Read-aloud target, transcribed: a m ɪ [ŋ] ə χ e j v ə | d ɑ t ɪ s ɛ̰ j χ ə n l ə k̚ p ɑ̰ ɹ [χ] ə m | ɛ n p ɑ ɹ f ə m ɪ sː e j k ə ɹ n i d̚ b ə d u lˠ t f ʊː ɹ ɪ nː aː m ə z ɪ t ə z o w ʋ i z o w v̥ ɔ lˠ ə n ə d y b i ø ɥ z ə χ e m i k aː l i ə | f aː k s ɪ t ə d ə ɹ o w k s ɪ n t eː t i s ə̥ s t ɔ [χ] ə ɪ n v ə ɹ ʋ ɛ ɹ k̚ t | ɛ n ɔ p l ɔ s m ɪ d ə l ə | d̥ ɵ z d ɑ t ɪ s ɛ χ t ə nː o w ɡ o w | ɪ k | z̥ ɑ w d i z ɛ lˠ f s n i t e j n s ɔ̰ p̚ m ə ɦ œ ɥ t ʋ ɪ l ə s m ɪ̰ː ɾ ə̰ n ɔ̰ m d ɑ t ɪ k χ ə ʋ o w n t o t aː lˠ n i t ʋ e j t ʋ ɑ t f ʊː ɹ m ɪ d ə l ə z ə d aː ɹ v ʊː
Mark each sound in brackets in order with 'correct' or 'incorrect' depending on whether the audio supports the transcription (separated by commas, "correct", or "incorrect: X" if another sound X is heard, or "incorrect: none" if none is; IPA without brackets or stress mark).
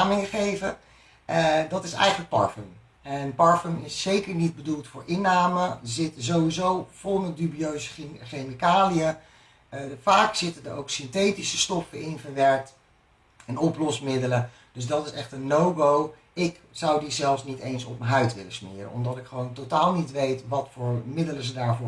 correct, incorrect: f, incorrect: f